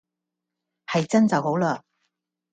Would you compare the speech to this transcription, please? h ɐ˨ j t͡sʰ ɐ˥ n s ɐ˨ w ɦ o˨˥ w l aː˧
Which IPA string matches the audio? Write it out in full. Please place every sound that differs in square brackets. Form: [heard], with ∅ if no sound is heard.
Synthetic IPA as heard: h ɐ˨ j [t͡s] ɐ˥ n [t͡s] ɐ˨ w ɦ o˨˥ w l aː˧